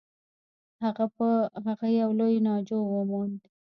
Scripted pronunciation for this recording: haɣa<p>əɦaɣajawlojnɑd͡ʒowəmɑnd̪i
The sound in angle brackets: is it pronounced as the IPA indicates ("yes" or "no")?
yes